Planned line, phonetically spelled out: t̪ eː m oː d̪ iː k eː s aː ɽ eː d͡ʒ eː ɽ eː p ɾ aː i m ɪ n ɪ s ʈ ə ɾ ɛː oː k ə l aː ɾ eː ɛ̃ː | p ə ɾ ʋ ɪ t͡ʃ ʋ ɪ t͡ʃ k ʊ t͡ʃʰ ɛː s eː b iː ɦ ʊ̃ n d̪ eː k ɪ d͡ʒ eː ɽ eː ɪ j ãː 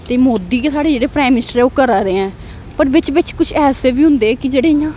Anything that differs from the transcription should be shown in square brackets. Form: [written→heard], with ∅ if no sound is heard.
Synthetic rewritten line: t̪ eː m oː d̪ iː k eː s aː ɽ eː d͡ʒ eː ɽ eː p ɾ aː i m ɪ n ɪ s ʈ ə ɾ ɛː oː k ə [l→ɾ] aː ɾ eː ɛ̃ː | p ə ɾ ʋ ɪ t͡ʃ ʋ ɪ t͡ʃ k ʊ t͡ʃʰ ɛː s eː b iː ɦ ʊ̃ n d̪ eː k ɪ d͡ʒ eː ɽ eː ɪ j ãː